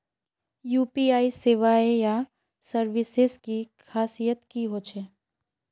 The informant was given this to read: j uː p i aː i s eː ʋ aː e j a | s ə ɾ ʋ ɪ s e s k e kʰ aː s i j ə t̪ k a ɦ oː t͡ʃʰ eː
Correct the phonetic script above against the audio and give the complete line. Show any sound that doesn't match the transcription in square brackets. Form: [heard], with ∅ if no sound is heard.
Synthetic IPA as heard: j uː p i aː i s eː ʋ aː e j a | s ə ɾ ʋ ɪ s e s k [i] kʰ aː s i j ə t̪ k [i] ɦ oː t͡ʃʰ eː